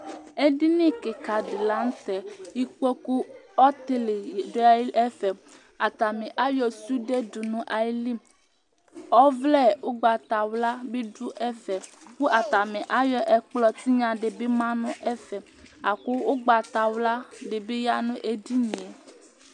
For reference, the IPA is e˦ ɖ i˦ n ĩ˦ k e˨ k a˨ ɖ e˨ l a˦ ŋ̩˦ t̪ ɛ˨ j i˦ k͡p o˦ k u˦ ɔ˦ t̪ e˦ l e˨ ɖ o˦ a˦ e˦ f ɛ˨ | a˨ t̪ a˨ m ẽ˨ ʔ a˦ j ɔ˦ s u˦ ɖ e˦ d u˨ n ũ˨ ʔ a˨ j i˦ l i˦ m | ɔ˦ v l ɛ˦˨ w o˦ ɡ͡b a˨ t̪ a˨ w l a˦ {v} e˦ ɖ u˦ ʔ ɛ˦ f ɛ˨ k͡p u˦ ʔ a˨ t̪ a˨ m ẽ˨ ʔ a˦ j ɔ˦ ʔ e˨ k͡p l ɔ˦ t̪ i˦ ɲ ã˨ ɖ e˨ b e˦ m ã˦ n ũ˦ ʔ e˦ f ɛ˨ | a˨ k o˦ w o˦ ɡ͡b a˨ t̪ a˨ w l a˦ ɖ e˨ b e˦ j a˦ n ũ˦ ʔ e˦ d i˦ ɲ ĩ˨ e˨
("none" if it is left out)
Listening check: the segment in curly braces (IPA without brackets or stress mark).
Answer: b